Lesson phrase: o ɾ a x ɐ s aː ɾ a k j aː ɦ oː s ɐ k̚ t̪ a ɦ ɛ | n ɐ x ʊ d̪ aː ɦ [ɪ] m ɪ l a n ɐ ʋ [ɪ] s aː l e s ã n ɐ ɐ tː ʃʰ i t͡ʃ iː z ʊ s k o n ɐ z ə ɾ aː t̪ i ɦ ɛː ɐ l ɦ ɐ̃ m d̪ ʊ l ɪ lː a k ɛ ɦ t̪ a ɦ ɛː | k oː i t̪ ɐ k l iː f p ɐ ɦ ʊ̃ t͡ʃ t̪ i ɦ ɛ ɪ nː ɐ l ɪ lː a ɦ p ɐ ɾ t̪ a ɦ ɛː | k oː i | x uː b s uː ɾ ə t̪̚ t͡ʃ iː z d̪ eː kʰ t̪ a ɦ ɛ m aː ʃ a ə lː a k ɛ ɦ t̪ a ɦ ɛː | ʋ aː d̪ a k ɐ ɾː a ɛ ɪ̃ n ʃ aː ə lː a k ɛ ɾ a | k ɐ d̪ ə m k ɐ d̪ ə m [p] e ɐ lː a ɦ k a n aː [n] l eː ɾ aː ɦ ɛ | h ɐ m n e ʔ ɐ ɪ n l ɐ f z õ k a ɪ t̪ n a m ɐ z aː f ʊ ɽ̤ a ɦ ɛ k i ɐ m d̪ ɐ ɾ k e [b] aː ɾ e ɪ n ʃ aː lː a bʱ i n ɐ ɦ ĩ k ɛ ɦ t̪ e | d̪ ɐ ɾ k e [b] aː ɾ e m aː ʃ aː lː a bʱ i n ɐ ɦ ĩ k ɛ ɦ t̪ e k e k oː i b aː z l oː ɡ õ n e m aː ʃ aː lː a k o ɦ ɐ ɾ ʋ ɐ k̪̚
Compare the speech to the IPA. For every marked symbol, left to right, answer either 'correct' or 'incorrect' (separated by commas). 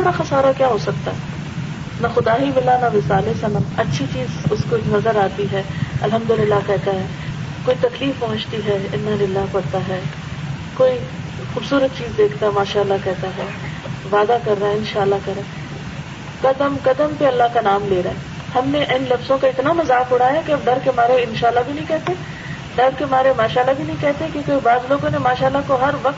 incorrect, correct, correct, incorrect, incorrect, incorrect